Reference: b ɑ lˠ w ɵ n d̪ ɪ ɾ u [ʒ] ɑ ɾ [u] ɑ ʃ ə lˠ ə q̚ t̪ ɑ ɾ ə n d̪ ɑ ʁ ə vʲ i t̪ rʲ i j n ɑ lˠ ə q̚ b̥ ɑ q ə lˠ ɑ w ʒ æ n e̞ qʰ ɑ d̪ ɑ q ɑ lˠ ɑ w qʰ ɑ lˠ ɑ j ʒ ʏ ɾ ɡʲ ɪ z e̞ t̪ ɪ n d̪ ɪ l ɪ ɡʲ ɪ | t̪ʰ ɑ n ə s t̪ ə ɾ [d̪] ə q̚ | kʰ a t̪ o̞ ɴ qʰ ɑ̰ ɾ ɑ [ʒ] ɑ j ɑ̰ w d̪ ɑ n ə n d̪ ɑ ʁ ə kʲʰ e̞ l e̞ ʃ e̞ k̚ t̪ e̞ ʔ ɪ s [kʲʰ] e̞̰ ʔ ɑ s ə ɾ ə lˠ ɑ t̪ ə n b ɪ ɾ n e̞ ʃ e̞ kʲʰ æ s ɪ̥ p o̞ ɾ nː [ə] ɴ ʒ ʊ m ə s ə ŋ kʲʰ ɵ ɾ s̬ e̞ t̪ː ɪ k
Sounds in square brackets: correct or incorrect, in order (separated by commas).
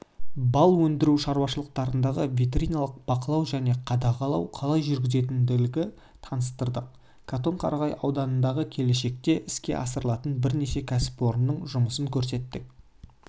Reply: incorrect, incorrect, correct, incorrect, incorrect, correct